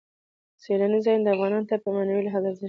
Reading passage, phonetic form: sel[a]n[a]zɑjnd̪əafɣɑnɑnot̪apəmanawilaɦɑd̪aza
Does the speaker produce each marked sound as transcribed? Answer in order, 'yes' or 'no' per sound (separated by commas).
yes, no